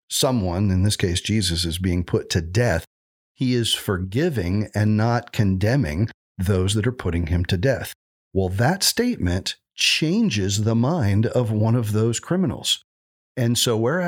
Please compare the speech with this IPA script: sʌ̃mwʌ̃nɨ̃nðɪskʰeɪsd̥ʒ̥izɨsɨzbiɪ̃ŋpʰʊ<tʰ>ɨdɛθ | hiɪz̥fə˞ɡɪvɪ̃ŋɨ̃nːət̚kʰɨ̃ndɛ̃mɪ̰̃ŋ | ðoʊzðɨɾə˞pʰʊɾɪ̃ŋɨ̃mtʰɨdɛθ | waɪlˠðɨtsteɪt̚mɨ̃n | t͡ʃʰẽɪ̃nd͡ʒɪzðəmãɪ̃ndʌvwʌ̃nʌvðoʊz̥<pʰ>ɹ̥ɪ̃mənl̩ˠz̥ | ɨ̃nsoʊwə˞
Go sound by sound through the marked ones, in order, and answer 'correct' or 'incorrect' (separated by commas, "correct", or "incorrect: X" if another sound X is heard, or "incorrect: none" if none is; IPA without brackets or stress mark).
correct, incorrect: kʰ